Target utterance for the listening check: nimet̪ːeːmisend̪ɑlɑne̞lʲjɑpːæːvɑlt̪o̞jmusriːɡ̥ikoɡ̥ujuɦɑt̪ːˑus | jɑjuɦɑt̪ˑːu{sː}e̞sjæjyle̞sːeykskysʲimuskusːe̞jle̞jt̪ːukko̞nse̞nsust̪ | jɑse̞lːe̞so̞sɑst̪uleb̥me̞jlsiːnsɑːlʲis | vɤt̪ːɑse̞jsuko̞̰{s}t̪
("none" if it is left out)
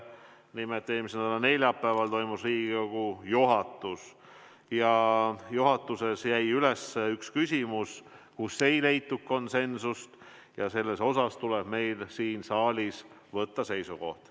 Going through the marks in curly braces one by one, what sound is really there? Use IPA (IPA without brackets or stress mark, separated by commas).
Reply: s, h